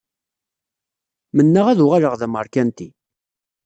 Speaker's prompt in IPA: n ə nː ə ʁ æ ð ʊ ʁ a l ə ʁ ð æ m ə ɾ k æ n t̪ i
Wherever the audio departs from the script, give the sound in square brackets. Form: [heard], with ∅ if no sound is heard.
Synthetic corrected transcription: [m] ə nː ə ʁ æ ð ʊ ʁ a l ə ʁ ð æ m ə ɾ k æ n t̪ i